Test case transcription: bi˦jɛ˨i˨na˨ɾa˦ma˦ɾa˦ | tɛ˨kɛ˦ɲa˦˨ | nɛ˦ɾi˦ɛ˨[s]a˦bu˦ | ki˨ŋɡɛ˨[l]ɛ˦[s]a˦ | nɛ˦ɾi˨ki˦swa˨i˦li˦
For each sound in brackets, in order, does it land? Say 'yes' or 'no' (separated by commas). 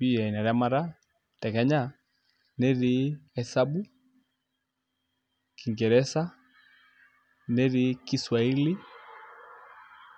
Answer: yes, no, yes